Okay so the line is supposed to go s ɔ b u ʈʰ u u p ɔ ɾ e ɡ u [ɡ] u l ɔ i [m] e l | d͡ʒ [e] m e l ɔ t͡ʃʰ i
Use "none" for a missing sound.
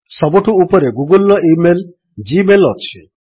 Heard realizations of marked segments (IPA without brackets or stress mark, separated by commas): ɡ, m, i